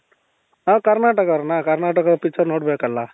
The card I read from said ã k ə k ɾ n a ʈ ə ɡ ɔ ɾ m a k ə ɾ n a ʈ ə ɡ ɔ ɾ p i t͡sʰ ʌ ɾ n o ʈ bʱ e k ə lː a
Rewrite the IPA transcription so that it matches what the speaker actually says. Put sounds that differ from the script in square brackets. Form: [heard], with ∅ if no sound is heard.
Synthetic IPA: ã k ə [∅] ɾ n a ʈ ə [k] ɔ ɾ [n] a k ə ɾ n a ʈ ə [k] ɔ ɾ p i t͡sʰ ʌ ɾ n o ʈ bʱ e k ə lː a